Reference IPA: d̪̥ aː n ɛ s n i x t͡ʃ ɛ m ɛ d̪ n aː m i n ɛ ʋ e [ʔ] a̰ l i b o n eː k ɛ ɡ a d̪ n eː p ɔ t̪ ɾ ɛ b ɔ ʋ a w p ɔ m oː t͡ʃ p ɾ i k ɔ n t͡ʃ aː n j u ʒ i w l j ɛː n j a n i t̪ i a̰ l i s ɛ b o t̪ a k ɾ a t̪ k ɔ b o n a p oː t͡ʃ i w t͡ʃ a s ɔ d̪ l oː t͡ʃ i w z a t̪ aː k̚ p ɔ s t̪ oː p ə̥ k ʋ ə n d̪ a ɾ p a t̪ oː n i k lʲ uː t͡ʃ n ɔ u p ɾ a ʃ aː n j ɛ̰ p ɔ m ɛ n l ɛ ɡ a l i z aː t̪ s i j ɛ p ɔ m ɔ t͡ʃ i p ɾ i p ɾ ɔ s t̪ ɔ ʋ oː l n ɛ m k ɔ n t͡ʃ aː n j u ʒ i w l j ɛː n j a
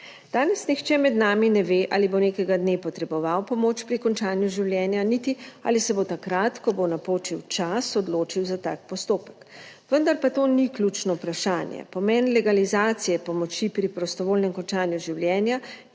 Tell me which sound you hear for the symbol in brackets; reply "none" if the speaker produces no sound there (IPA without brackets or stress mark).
ʔ